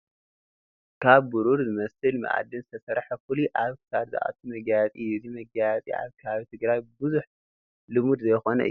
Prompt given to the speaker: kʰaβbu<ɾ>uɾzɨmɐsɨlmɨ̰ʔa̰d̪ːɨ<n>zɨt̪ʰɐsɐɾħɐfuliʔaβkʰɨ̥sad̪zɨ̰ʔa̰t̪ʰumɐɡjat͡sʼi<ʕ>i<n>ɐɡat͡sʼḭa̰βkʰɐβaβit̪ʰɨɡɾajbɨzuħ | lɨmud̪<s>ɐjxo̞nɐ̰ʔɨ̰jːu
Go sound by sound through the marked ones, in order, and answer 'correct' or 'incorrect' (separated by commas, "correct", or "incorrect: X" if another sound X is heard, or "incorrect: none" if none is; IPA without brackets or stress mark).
correct, correct, incorrect: z, incorrect: m, incorrect: z